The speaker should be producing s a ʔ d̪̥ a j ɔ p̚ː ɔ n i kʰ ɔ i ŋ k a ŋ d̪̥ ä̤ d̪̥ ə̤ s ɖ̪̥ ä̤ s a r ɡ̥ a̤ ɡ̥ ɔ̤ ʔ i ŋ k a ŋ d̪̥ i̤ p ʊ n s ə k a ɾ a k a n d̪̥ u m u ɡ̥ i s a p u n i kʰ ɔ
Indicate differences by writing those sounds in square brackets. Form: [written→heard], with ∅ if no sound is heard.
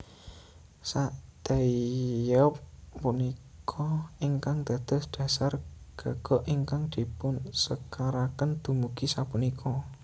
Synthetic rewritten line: s a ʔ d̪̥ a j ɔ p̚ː [ɔ→u] n i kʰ ɔ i ŋ k a ŋ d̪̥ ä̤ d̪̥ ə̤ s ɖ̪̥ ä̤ s a r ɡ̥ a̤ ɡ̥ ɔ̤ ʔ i ŋ k a ŋ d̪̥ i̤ p ʊ n s ə k a ɾ a k [a→ə] n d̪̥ u m u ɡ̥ i s a p u n i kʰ ɔ